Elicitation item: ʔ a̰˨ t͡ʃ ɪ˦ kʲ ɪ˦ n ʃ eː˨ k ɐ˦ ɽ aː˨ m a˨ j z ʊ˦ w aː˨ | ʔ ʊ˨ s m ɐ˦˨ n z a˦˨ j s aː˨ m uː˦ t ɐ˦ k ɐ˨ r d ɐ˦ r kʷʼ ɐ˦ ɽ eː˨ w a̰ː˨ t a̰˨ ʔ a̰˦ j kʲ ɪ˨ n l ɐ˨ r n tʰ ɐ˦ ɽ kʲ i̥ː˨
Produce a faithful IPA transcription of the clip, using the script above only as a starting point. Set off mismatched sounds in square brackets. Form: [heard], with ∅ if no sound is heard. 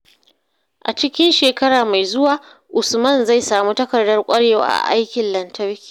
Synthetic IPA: ʔ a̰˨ t͡ʃ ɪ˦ kʲ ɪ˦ n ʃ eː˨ k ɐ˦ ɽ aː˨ m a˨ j z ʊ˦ w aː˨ | ʔ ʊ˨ s m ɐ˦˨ n z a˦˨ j s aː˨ m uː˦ t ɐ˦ k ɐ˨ r d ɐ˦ r kʷʼ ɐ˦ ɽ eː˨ w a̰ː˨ [ʔ] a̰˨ ʔ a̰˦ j kʲ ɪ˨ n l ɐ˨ [∅] n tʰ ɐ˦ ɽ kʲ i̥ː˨